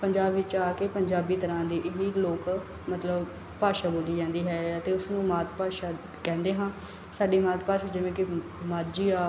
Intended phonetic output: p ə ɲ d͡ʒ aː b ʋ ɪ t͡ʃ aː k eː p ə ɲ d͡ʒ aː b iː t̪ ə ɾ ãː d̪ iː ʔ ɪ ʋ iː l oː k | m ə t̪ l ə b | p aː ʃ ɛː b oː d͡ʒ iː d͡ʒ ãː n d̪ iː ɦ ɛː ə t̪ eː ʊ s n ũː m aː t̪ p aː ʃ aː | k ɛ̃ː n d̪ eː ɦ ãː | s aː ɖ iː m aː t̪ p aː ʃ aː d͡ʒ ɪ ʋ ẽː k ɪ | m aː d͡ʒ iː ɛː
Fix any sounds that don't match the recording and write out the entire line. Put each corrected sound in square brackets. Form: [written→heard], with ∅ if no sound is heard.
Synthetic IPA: p ə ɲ d͡ʒ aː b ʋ ɪ t͡ʃ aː k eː p ə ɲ d͡ʒ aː b iː t̪ ə ɾ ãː d̪ iː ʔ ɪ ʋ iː l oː k | m ə t̪ l ə b | p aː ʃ [ɛː→aː] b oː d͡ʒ iː d͡ʒ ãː n d̪ iː ɦ ɛː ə t̪ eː ʊ s n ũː m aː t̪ p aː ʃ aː | k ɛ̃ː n d̪ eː ɦ ãː | s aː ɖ iː m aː t̪ p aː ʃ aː d͡ʒ ɪ ʋ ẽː k ɪ | m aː d͡ʒ iː [ɛː→aː]